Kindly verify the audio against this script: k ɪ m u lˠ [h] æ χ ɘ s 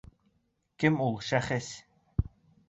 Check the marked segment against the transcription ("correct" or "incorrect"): incorrect